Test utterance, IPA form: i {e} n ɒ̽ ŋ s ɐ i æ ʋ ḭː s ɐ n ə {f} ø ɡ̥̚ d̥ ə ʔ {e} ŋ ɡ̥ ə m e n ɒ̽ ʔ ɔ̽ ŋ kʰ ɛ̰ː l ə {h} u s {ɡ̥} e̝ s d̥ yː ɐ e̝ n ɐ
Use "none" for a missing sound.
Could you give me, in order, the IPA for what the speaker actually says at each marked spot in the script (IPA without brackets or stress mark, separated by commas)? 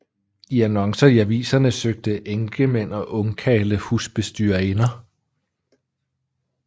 æ, s, e, h, b̥